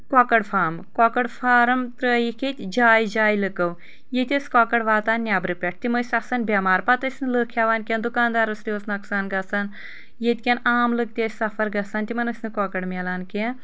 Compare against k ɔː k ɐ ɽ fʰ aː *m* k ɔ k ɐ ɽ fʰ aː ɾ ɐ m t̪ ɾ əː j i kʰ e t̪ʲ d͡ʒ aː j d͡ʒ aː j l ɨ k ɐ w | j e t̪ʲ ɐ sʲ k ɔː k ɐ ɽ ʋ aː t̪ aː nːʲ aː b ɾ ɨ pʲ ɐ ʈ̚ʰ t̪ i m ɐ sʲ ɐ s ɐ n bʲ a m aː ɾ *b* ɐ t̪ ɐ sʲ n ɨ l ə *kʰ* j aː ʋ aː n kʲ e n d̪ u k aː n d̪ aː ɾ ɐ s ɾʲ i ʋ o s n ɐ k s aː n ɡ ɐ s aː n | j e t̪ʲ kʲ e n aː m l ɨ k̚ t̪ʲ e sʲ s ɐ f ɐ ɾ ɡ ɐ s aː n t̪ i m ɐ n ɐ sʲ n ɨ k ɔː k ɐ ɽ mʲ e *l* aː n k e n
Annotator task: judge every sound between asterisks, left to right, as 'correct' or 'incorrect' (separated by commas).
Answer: correct, incorrect, correct, correct